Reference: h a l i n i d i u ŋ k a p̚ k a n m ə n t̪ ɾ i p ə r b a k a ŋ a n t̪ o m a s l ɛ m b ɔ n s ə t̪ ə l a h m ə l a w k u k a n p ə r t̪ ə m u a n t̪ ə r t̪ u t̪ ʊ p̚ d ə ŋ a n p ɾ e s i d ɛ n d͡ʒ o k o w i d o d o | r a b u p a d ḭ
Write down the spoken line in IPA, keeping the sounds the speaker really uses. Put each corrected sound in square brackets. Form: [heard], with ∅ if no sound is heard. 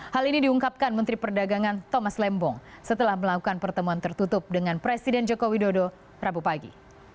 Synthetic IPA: h a l i n i d i u ŋ k a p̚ k a n m ə n t̪ ɾ i p ə r [d] a [ɡ] a ŋ a n t̪ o m a s l ɛ m b ɔ [ŋ] s ə t̪ ə l a h m ə l a [∅] k u k a n p ə r t̪ ə m u a n t̪ ə r t̪ u t̪ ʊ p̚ d ə ŋ a n p ɾ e s i d ɛ n d͡ʒ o k o w i d o d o | r a b u p a [ɡ] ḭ